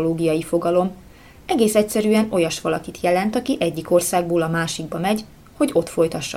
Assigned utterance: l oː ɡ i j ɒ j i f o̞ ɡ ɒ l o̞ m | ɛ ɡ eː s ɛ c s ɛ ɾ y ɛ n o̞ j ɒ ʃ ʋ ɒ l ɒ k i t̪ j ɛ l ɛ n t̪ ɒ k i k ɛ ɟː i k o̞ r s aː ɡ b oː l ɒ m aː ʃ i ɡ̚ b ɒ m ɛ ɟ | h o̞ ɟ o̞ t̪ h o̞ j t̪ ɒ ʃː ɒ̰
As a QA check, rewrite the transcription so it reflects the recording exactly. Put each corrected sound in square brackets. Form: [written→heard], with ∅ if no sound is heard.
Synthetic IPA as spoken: l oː ɡ i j ɒ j i f o̞ ɡ ɒ l o̞ m | ɛ ɡ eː s ɛ c s ɛ ɾ y ɛ n o̞ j ɒ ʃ ʋ ɒ l ɒ k i t̪ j ɛ l ɛ n t̪ ɒ k i [k→ʔ] ɛ ɟː i k o̞ r s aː ɡ b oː l ɒ m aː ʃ i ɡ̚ b ɒ m ɛ ɟ | h o̞ ɟ o̞ t̪ [h→f] o̞ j t̪ ɒ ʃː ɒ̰